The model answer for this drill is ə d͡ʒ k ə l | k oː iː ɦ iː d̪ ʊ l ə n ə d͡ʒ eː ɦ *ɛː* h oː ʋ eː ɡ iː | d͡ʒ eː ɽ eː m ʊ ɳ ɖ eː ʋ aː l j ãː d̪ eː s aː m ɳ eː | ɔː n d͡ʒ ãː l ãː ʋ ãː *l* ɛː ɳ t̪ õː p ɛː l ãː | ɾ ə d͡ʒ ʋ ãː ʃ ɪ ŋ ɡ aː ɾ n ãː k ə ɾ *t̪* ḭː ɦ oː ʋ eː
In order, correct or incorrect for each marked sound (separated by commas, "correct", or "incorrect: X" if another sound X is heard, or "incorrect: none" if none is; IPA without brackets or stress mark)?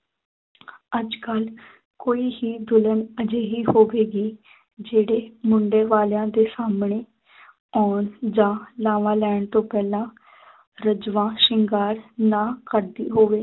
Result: incorrect: iː, correct, incorrect: d̪